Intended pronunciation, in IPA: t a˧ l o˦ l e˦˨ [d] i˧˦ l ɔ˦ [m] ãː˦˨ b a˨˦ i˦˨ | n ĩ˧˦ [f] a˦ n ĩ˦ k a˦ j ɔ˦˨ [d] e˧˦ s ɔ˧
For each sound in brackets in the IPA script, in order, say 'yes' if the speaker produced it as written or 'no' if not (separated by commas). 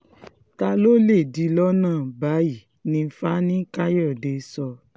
yes, no, yes, yes